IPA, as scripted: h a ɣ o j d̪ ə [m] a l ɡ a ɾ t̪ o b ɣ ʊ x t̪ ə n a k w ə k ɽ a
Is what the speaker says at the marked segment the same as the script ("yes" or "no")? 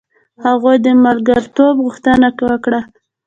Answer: yes